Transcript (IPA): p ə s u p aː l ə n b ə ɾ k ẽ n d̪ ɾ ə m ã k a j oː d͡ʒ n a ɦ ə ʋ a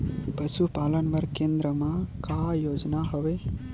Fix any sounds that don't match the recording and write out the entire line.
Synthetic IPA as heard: p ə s u p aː l ə n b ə ɾ k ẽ n d̪ ɾ ə m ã k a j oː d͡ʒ n a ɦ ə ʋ e